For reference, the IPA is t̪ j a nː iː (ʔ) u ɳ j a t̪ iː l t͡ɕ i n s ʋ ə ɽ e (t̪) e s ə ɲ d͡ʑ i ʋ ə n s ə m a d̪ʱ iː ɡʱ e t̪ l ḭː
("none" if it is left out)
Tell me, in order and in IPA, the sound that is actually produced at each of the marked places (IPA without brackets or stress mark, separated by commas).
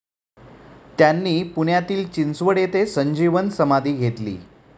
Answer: p, t̪